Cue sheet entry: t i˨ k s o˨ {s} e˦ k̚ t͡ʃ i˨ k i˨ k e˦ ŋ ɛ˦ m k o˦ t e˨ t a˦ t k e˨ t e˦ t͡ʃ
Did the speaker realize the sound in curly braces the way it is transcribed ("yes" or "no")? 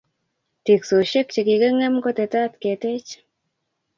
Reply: no